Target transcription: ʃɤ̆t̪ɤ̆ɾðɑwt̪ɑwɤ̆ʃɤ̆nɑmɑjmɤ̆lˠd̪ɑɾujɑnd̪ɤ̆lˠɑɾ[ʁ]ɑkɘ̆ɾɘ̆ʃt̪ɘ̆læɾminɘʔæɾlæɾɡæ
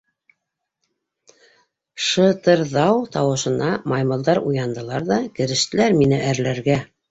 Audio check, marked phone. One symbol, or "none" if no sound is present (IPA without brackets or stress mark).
ð